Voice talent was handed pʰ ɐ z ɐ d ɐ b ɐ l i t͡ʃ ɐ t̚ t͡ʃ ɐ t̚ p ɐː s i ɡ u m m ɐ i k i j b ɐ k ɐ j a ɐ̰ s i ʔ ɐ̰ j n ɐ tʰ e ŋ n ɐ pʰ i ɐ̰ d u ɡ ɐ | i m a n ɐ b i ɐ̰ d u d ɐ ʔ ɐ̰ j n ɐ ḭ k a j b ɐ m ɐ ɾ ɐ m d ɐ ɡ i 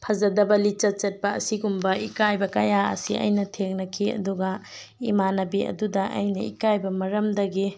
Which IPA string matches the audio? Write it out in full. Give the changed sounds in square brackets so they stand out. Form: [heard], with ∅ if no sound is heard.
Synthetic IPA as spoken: pʰ ɐ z ɐ d ɐ b ɐ l i t͡ʃ ɐ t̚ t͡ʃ ɐ t̚ p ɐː s i ɡ u m [b] ɐ i k [a] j b ɐ k ɐ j a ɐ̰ s i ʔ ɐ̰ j n ɐ tʰ e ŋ n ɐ [kʰ] i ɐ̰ d u ɡ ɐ | i m a n ɐ b i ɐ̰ d u d ɐ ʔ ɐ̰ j n ɐ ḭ k a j b ɐ m ɐ ɾ ɐ m d ɐ ɡ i